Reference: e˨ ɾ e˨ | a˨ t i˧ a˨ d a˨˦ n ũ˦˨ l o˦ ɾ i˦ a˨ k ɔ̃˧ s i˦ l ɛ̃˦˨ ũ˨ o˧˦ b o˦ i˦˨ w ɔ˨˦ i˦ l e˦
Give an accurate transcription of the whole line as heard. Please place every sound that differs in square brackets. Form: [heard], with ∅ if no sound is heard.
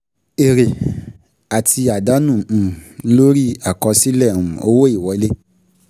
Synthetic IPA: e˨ ɾ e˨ | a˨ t i˧ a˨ d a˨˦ n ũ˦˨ l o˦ ɾ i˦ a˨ k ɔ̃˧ s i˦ l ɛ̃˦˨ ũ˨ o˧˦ [w] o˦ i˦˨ w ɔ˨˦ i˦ l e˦